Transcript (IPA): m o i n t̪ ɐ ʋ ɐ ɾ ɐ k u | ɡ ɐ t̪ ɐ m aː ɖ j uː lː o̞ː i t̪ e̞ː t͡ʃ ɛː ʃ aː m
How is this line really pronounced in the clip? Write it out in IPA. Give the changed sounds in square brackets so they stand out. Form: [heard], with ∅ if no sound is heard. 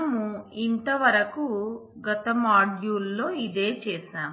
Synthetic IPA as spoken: m [u] i n t̪ ɐ ʋ ɐ ɾ ɐ k u | ɡ ɐ t̪ ɐ m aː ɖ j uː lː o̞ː i [d̪] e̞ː t͡ʃ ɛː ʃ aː m